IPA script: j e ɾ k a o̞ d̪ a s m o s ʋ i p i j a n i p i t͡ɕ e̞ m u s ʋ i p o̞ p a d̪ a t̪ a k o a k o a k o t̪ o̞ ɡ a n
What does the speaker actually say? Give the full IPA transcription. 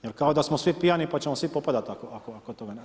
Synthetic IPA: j e ɾ k a o̞ d̪ a s m o s ʋ i p i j a n i p a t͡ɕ e̞ m o s ʋ i p o̞ p a d̪ a t̪ a k o a k o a k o t̪ o̞ ɡ a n